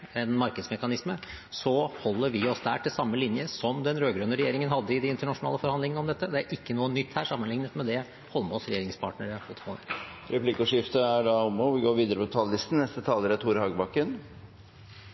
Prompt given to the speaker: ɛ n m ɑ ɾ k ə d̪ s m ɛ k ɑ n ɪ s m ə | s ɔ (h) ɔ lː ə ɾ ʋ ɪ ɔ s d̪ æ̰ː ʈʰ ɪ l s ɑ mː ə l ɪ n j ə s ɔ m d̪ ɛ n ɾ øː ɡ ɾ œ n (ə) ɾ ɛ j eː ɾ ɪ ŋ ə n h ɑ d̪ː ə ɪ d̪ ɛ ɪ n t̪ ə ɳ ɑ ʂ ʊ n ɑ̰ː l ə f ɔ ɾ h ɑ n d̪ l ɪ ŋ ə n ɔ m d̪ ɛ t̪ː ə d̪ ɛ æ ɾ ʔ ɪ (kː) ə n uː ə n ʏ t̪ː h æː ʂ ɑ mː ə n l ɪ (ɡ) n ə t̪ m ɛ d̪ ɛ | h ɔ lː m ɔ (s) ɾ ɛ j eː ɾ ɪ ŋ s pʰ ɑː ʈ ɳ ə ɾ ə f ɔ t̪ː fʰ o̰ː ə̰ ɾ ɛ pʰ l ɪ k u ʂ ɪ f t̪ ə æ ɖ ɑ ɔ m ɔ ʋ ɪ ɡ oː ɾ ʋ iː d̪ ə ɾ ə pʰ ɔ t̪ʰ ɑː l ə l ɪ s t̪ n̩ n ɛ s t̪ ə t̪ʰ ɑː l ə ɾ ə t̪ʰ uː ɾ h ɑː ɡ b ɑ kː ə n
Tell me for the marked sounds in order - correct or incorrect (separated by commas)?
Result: correct, correct, correct, incorrect, correct